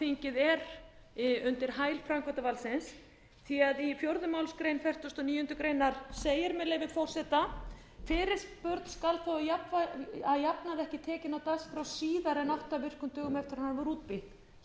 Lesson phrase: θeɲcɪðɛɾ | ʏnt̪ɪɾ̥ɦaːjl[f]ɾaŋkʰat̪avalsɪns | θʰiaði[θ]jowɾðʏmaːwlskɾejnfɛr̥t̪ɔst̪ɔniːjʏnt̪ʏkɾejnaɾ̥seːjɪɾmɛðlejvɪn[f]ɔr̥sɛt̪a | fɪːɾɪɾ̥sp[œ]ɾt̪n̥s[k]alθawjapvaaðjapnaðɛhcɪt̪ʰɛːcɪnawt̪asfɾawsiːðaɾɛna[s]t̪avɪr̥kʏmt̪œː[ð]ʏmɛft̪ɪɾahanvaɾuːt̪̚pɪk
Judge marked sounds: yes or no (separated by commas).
yes, no, yes, yes, yes, no, no